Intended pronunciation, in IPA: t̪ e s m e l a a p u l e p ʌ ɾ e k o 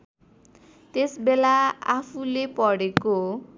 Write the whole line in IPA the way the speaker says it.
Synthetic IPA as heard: t̪ e s b e l a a pʰ u l e p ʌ ɽ e k o